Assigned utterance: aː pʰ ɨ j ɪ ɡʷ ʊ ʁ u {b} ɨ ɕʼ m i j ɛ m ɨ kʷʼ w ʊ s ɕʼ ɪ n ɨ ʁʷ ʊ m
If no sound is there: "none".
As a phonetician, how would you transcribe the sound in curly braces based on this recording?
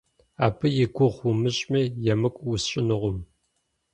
m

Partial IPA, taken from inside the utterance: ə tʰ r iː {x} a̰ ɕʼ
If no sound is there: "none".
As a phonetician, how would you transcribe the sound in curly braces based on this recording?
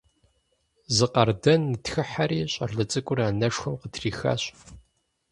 x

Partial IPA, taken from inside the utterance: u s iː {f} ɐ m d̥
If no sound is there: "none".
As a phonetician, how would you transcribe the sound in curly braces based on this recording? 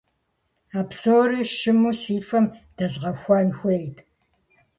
f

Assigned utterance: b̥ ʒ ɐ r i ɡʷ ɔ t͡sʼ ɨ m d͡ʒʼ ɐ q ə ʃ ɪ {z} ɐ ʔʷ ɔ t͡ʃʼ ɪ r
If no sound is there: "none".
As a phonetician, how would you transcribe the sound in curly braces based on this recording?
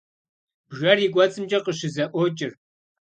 z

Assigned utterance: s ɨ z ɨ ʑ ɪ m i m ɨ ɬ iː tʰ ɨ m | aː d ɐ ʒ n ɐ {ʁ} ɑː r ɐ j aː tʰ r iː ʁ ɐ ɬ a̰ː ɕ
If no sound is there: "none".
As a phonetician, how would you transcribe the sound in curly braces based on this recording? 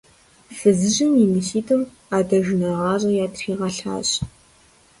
ʁ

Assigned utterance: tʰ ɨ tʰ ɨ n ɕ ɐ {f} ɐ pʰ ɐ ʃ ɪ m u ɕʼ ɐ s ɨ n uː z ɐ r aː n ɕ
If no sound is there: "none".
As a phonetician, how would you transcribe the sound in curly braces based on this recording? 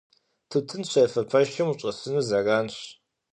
f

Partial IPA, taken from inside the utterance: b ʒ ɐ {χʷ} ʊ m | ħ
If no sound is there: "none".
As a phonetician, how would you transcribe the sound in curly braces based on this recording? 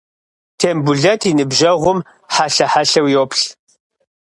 ʁʷ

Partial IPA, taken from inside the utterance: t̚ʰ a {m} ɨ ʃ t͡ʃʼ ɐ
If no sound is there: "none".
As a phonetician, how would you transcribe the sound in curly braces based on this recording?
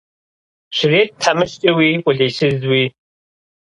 m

